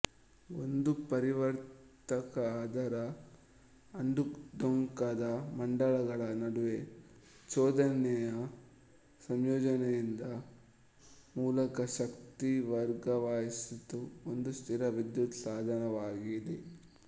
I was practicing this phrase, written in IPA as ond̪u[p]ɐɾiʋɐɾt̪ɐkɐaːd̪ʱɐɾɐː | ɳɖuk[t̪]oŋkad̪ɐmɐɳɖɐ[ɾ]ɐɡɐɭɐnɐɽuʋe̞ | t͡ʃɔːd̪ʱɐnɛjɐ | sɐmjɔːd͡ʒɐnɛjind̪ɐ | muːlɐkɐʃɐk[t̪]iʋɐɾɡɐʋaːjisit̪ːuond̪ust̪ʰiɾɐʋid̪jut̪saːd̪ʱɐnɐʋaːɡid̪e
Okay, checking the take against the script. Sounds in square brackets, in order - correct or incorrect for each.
correct, incorrect: d̪, incorrect: ɭ, correct

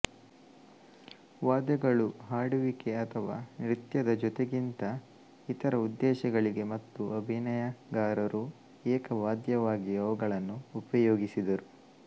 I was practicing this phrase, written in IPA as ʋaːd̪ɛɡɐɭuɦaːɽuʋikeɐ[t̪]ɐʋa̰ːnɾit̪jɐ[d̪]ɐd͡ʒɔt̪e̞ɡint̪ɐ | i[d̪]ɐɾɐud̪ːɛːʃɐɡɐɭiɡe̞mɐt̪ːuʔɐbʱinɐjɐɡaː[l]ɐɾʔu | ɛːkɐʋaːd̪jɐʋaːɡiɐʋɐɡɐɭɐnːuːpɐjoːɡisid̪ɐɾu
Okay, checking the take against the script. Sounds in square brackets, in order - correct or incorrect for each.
incorrect: t̪ʰ, correct, incorrect: t̪, incorrect: ɾ

